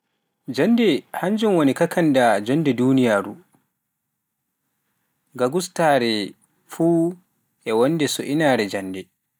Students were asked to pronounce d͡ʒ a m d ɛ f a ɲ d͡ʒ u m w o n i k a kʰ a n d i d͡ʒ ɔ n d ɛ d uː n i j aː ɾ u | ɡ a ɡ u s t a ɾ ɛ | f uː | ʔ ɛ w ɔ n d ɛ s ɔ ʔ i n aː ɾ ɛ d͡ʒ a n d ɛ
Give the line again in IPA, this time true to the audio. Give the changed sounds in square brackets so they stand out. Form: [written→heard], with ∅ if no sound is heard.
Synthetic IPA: d͡ʒ a [m→n] d ɛ [f→h] a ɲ d͡ʒ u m w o n i k a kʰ a n d [i→a] d͡ʒ ɔ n d ɛ d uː n i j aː ɾ u | ɡ a ɡ u s t a ɾ ɛ | f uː | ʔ ɛ w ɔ n d ɛ s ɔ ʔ i n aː ɾ ɛ d͡ʒ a n d ɛ